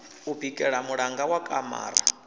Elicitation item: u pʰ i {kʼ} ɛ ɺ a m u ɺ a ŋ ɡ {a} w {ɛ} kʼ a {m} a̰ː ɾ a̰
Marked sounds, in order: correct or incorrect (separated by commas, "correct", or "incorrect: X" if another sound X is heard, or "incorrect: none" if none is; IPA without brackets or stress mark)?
correct, correct, incorrect: a, correct